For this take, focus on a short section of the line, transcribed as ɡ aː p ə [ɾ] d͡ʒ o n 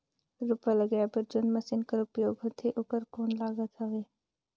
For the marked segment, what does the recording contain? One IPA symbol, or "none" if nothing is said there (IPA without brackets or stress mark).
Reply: ɾ